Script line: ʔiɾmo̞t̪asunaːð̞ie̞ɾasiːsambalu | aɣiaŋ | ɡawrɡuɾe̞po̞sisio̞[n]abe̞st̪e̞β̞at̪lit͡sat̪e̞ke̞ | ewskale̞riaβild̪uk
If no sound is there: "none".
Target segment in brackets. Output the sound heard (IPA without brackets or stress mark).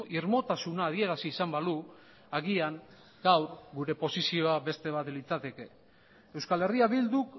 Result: none